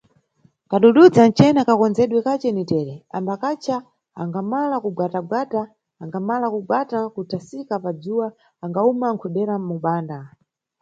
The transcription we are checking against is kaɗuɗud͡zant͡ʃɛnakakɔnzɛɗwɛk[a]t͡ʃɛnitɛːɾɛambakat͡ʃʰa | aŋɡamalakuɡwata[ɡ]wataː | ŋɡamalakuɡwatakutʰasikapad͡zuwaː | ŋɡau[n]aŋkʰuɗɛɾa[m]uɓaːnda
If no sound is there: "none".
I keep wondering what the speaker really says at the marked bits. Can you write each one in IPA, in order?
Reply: a, ɡ, m, m

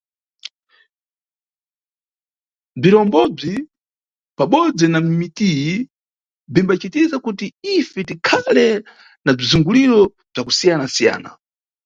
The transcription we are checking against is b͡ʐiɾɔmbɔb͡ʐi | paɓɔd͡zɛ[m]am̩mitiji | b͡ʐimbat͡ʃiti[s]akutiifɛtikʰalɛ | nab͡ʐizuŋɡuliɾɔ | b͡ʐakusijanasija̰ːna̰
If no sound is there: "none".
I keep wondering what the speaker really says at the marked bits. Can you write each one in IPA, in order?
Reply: n, z

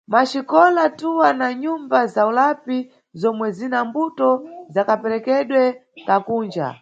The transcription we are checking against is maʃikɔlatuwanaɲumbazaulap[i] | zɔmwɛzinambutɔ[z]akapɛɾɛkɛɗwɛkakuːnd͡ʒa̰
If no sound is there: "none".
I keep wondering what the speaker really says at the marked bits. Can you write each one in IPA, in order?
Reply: i, z

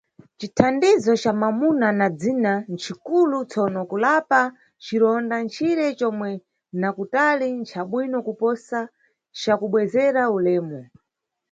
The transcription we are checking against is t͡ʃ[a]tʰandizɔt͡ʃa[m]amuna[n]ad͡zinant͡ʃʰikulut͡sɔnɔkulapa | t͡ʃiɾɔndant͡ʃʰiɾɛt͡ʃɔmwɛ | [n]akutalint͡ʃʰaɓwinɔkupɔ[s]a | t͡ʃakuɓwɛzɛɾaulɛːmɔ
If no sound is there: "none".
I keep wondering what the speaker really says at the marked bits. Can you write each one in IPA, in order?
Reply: i, m, n, n, s

